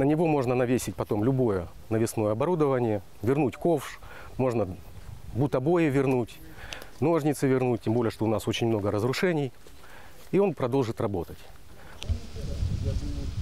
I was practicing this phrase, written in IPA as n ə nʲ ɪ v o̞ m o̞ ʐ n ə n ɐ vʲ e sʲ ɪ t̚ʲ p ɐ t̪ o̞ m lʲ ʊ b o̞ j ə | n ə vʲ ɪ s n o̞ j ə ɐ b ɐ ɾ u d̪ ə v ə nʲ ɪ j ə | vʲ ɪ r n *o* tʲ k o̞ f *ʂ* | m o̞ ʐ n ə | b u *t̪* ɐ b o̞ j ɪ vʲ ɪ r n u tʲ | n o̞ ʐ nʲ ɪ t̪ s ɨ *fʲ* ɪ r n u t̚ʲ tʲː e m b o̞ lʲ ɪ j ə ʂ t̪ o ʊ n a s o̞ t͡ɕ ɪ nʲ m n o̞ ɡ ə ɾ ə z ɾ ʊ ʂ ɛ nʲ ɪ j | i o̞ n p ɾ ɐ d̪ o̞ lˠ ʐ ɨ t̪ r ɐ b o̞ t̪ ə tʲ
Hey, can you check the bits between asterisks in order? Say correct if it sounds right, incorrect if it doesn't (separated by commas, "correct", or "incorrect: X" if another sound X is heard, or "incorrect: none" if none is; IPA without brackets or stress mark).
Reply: incorrect: u, correct, correct, incorrect: vʲ